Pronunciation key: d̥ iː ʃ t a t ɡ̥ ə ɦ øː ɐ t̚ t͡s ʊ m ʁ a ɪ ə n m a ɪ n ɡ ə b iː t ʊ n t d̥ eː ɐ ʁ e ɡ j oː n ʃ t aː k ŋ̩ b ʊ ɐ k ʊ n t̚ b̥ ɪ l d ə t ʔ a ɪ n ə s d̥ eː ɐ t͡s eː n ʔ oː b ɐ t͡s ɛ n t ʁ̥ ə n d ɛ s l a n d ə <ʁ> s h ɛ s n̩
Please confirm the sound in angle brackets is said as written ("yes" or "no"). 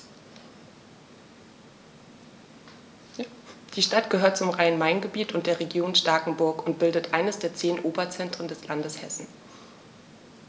no